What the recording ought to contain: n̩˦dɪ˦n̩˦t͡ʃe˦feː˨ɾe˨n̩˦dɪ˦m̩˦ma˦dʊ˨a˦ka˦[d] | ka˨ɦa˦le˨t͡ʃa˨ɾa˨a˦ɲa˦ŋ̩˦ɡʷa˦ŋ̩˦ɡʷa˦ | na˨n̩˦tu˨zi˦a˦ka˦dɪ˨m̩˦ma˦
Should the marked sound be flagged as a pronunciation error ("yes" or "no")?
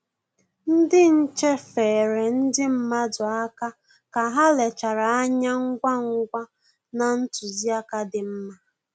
yes